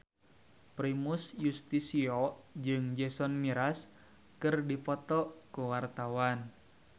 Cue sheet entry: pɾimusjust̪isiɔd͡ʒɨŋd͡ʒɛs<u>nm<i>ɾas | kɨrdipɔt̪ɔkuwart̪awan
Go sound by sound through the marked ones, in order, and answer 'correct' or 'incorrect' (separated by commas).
incorrect, correct